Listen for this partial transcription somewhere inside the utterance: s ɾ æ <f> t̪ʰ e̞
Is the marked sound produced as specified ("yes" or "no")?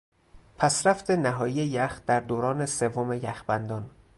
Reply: yes